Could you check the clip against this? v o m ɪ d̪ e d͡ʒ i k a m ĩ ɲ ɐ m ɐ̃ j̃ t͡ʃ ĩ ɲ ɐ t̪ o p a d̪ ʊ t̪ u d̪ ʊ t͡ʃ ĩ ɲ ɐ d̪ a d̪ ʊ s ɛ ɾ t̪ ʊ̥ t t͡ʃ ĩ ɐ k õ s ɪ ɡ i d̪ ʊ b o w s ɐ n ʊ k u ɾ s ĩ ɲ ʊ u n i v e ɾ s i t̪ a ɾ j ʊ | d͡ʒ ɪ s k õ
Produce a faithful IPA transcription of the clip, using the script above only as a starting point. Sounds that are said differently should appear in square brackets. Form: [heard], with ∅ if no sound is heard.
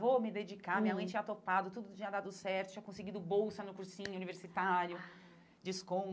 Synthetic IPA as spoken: v o m ɪ d̪ e d͡ʒ i k a m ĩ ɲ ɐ m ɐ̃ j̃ t͡ʃ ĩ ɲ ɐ t̪ o p a d̪ ʊ t̪ u d̪ ʊ t͡ʃ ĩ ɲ ɐ d̪ a d̪ ʊ s ɛ ɾ t̪ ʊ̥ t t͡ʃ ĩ ɐ k õ s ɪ ɡ i d̪ ʊ b o w s ɐ n ʊ k u ɾ s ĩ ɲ ʊ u n i v e ɾ s i t̪ a ɾ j ʊ | d͡ʒ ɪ s k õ